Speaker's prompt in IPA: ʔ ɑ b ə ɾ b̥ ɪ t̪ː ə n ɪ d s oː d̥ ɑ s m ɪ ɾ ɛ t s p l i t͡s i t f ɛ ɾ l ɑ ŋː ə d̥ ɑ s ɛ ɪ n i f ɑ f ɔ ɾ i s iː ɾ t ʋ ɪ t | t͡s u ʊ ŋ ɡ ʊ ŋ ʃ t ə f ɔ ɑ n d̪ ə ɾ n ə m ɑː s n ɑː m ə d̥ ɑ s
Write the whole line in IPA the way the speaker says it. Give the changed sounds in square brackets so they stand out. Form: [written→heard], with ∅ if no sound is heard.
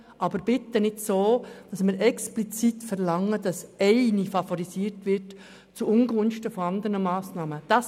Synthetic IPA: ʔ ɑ b ə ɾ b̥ ɪ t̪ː ə n ɪ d s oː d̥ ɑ s m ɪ ɾ ɛ [t→k] s p l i t͡s i t f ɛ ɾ l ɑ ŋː ə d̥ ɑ s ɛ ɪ n i f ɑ f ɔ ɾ i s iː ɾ t ʋ ɪ t | t͡s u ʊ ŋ ɡ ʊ [ŋ→n] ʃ t ə f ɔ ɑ n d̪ ə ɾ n ə m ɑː s n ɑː m ə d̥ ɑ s

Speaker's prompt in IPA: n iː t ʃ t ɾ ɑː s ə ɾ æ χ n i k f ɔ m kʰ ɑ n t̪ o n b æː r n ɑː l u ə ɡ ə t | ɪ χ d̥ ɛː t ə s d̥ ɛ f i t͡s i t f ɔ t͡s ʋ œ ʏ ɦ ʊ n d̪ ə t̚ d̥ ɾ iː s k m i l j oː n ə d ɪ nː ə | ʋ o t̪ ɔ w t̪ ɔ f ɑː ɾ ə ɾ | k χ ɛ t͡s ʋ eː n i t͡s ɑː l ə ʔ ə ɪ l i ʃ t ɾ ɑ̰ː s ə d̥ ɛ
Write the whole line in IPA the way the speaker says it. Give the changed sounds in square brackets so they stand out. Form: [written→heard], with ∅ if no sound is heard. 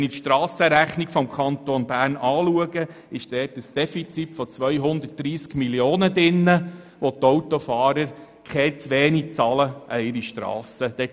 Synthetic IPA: n [iː→i] t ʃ t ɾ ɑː s ə ɾ æ χ n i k f ɔ m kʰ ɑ n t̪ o n b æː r n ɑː l u ə ɡ ə [t→∅] | ɪ [χ→ʃ] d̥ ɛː t ə s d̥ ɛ f i t͡s i t f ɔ t͡s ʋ œ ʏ ɦ ʊ n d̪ ə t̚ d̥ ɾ iː s k m i l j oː n ə d ɪ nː ə | ʋ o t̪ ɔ w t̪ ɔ f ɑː ɾ ə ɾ | k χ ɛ t͡s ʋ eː n i t͡s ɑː l ə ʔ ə ɪ [l→ɾ] i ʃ t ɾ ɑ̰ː s ə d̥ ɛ

